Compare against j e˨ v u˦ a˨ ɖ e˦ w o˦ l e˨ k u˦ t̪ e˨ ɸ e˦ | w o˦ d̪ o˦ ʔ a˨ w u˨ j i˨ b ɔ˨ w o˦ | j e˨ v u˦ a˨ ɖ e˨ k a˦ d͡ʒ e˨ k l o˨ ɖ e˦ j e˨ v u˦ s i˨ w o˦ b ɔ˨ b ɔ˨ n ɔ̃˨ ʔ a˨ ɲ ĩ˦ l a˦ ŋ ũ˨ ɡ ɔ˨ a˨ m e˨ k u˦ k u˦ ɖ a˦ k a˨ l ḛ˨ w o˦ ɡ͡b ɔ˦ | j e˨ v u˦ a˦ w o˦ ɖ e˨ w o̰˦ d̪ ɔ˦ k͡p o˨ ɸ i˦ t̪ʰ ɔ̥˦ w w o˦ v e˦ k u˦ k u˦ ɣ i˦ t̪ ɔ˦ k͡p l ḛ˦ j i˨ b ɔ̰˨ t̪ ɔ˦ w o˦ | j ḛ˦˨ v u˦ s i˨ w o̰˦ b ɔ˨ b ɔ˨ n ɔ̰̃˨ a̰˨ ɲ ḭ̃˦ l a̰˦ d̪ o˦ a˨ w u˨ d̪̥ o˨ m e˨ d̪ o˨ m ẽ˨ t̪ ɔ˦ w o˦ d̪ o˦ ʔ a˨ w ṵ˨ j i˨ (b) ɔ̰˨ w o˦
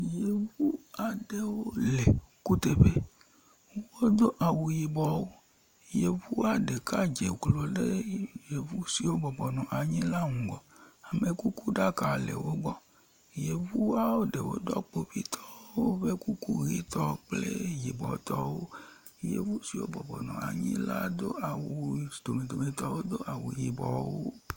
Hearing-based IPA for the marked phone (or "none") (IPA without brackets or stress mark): b